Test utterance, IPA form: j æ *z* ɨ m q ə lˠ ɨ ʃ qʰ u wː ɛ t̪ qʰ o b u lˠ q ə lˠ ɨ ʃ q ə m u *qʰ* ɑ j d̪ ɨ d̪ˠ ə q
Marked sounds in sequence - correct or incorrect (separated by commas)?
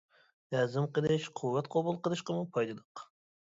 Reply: correct, incorrect